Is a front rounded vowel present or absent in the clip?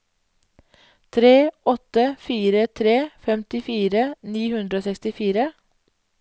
absent